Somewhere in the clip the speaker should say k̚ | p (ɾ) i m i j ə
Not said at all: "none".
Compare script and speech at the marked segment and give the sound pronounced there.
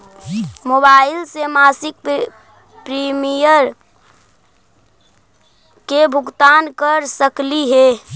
ɾ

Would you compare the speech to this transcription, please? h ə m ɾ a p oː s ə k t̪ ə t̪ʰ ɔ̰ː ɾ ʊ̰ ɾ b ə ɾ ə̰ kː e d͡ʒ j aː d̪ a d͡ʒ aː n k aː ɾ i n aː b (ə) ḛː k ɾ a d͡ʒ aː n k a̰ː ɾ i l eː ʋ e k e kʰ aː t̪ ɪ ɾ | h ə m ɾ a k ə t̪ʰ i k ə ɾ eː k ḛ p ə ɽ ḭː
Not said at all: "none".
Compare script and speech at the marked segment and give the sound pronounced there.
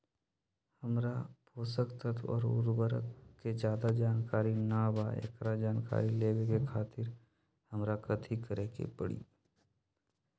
a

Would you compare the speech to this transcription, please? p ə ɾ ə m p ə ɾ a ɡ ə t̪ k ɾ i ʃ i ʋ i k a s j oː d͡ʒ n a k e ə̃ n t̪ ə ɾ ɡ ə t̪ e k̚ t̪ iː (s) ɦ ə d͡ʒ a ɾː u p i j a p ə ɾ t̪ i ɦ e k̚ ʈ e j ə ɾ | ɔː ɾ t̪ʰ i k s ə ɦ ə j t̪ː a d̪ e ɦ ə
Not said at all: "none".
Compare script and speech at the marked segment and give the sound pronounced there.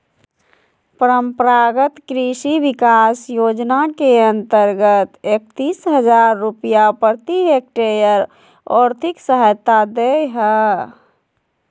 s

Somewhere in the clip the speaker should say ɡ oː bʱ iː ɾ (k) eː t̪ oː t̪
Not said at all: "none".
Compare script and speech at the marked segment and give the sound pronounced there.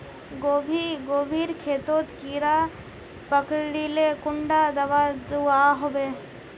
kʰ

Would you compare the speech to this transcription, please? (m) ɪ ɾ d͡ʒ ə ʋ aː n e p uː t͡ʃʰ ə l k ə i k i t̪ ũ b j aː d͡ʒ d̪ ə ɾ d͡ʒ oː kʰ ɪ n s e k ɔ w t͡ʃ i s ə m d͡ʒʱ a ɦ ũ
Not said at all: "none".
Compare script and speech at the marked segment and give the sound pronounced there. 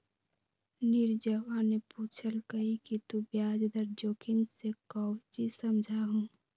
n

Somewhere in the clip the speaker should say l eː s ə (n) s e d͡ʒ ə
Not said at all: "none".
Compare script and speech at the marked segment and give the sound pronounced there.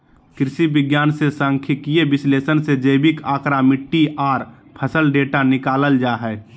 n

